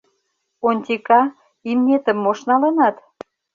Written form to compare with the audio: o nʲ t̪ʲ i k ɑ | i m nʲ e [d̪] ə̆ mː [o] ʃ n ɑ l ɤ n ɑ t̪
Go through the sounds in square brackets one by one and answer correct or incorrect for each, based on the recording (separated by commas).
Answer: incorrect, correct